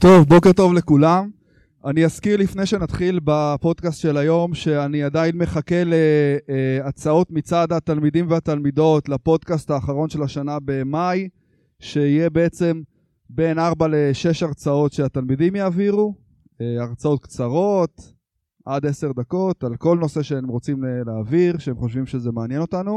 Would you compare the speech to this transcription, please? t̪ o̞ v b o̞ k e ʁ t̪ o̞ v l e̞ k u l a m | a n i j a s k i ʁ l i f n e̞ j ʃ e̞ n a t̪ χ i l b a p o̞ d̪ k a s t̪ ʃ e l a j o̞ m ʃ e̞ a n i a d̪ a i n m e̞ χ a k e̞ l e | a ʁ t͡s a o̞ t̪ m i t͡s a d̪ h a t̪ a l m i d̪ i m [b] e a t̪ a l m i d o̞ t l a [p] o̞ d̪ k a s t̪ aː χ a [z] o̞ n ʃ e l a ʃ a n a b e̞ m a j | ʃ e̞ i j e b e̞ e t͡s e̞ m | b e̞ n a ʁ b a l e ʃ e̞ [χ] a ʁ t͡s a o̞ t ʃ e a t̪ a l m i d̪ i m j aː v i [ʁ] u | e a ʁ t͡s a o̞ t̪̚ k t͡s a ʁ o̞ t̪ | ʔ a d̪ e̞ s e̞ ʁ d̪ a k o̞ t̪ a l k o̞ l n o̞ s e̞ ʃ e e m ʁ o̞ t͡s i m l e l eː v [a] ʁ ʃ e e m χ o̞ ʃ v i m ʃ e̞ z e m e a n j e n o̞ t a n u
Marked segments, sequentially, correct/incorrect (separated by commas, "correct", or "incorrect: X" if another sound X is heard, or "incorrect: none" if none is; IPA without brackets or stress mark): incorrect: v, correct, incorrect: ʁ, incorrect: ʃ, correct, incorrect: i